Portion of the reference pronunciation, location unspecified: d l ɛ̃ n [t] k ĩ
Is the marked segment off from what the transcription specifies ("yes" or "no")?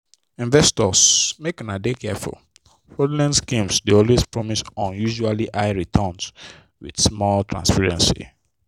yes